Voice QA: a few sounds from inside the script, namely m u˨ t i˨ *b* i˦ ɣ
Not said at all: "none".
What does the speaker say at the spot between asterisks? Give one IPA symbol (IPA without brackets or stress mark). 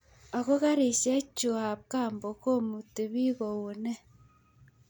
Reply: β